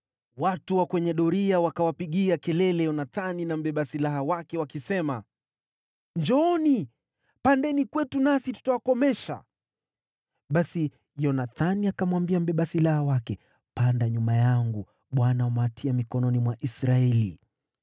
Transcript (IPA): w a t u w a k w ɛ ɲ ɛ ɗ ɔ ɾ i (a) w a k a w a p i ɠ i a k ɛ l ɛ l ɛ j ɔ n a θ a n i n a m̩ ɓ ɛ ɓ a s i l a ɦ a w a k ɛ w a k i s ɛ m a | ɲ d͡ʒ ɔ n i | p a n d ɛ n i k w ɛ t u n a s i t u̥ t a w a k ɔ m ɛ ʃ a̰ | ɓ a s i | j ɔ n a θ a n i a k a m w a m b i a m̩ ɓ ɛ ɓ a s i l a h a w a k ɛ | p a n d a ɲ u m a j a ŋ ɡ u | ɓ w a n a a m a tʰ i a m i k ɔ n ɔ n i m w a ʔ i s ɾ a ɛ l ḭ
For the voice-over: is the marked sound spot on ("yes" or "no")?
yes